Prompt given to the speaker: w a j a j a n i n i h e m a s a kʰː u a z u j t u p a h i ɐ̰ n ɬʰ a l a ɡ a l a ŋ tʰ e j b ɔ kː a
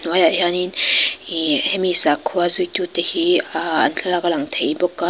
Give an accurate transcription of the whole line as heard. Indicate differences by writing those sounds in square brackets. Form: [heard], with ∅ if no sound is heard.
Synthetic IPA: w a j a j a n i n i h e m [i] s a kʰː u a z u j t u [t] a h i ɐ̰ n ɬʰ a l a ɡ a l a ŋ tʰ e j b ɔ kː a